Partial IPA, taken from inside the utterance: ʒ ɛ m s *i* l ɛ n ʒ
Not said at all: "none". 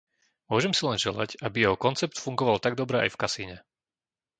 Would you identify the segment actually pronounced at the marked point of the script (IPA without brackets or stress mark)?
i